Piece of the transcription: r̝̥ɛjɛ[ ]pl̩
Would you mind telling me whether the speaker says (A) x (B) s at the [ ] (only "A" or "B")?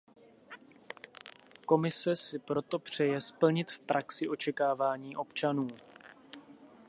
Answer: B